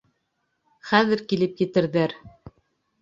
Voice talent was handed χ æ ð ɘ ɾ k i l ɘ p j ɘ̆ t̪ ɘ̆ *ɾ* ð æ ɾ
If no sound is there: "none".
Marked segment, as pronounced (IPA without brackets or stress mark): ɾ